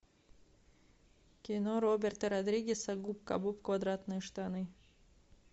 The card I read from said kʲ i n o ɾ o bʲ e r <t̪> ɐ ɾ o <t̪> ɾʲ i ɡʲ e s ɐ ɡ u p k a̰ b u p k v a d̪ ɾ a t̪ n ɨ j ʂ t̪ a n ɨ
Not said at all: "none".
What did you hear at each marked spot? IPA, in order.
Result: t̪, d̪

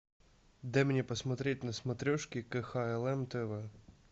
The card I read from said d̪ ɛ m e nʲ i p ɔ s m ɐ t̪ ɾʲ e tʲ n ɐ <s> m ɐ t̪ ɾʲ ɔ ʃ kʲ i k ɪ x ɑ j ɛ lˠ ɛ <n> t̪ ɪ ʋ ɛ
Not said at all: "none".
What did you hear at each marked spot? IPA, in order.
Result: s, m

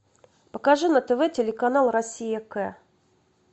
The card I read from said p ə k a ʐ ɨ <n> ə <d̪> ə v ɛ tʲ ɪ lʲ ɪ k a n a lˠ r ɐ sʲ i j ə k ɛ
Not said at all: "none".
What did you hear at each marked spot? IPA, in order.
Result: n, t̪

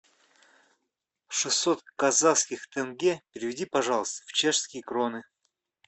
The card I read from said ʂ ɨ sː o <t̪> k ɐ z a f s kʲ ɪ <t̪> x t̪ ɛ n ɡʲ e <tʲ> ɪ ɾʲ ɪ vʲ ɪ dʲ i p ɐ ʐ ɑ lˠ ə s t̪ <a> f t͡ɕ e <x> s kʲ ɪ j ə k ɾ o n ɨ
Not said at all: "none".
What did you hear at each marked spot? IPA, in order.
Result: t̪, none, pʲ, ə, ʂ

